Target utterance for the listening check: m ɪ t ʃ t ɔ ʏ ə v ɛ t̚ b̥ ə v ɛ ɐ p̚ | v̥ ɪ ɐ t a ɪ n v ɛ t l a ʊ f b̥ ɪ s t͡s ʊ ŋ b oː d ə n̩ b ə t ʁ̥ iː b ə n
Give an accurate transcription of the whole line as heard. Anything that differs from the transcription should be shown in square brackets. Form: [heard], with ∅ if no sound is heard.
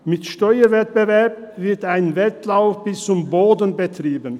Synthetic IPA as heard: m ɪ t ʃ t ɔ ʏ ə v ɛ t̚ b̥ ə v ɛ ɐ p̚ | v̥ ɪ ɐ t a ɪ n v ɛ t l a ʊ f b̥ ɪ s t͡s ʊ [m] b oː d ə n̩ b ə t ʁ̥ iː b ə n